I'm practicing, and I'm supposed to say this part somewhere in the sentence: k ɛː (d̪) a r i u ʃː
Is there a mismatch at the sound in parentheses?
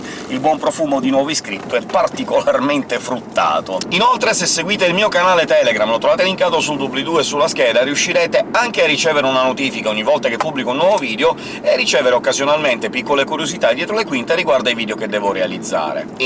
no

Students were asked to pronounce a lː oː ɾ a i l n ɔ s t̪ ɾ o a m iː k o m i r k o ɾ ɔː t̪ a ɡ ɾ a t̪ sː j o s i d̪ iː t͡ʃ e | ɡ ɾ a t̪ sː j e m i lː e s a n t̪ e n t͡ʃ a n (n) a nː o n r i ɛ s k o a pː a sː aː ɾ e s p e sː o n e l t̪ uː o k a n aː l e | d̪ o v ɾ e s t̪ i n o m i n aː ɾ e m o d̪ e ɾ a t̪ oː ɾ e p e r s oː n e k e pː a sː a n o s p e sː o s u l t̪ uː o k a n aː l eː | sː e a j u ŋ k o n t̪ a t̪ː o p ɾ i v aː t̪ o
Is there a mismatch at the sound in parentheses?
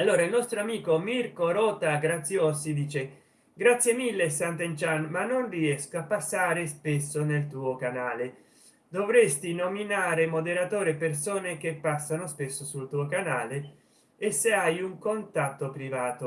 yes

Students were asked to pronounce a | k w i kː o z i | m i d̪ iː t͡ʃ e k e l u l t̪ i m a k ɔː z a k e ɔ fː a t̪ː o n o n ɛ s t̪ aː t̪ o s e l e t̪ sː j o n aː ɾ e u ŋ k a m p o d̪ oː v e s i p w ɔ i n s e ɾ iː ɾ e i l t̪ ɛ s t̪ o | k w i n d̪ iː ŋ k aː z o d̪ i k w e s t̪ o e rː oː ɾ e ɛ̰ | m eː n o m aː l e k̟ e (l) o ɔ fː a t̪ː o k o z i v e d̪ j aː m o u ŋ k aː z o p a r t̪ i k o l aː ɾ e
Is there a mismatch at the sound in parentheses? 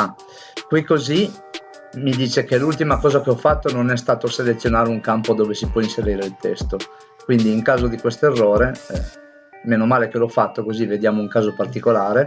no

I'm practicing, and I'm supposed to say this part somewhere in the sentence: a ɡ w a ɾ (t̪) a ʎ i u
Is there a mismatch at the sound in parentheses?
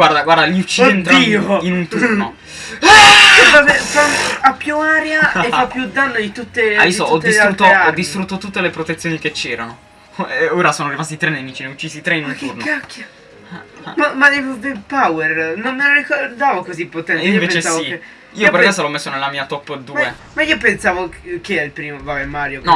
yes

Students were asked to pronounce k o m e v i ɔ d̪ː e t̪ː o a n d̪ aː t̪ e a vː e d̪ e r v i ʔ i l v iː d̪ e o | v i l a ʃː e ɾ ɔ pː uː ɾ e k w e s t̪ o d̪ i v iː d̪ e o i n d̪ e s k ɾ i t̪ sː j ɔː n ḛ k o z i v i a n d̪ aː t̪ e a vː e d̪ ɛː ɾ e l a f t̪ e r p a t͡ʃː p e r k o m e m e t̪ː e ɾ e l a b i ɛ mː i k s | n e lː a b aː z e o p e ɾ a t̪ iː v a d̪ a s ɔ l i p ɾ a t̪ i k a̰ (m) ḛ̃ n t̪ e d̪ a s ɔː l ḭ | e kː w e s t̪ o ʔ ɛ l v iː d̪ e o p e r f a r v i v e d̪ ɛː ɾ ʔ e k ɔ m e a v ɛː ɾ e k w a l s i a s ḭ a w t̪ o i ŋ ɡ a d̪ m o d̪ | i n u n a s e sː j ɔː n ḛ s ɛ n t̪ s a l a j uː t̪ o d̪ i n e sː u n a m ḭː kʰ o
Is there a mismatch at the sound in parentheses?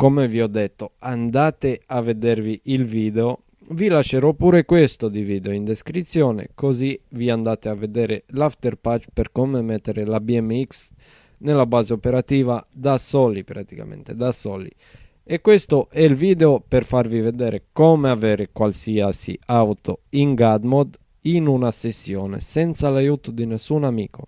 no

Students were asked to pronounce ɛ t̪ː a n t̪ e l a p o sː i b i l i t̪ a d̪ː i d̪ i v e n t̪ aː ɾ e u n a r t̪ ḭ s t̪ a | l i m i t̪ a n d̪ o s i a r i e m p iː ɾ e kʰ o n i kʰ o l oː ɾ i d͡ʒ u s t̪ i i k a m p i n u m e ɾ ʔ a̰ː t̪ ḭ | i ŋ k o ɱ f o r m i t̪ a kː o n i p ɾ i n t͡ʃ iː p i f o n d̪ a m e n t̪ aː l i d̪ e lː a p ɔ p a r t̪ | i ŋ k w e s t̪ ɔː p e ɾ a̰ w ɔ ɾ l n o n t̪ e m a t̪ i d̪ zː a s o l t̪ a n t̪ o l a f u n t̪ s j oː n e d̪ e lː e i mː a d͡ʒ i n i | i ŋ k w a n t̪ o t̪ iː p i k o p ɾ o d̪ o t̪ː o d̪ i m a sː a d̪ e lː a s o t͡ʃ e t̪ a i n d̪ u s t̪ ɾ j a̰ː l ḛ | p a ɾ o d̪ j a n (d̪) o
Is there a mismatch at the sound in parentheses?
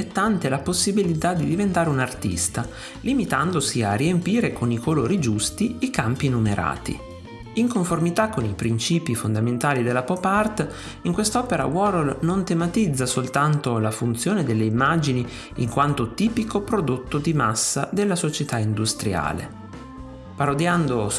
no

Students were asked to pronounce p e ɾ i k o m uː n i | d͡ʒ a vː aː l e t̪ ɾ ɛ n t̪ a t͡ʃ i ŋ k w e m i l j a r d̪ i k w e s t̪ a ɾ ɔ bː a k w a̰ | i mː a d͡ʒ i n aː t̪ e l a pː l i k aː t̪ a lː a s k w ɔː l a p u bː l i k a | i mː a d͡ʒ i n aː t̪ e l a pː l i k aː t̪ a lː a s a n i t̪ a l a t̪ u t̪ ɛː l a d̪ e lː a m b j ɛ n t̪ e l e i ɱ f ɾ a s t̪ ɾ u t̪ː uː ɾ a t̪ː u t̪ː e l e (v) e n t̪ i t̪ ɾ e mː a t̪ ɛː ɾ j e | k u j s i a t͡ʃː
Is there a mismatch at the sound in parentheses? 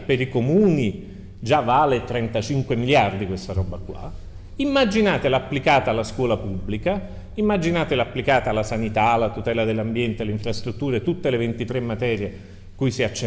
no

